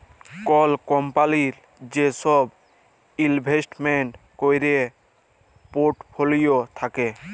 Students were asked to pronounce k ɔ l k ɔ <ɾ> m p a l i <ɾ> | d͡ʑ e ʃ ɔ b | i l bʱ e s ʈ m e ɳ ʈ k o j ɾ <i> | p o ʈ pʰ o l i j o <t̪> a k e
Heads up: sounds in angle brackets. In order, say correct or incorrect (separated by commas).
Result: incorrect, correct, incorrect, incorrect